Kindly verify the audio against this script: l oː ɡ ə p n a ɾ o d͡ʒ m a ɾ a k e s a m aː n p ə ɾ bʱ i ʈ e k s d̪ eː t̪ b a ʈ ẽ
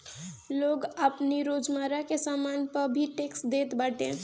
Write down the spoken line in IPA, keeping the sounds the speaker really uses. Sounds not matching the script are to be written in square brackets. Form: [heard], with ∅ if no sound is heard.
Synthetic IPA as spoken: l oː ɡ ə p n [i] ɾ o d͡ʒ m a ɾ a k e s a m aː n p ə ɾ bʱ i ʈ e k s d̪ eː t̪ b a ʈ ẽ